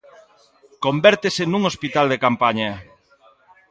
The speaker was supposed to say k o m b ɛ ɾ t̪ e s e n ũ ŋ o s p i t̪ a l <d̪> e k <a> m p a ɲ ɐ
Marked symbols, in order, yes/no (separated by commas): yes, yes